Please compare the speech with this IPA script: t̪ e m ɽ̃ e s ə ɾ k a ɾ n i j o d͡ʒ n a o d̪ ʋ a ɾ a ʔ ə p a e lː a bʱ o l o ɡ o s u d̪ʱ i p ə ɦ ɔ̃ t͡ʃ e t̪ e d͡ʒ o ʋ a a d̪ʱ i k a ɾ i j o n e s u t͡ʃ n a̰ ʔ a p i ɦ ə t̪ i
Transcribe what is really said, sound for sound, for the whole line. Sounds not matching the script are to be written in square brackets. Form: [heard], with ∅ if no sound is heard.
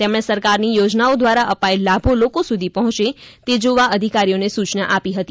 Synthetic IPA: t̪ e m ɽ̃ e s ə ɾ k a ɾ n i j o d͡ʒ n a o d̪ ʋ a ɾ a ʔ ə p a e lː a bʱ o l o [k] o s u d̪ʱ i p ə ɦ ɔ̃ t͡ʃ e t̪ e d͡ʒ o ʋ a [ə] d̪ʱ i k a ɾ i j o n e s u t͡ʃ n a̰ ʔ a p i ɦ ə t̪ i